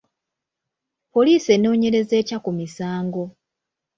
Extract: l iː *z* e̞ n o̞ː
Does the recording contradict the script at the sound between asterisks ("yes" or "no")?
yes